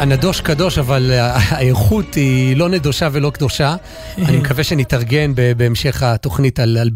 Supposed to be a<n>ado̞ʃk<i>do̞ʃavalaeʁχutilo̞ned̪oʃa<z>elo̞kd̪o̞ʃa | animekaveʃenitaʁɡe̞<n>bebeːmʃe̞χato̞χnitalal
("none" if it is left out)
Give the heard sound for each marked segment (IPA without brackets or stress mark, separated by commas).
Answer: n, a, v, n